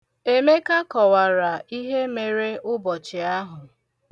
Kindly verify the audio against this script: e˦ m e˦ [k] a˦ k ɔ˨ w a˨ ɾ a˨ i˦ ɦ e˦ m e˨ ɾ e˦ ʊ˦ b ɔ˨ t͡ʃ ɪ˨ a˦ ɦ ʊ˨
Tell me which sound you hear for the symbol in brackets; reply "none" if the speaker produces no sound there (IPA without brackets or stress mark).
k